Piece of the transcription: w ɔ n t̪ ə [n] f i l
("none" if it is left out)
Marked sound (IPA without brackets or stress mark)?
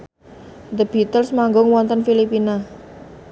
n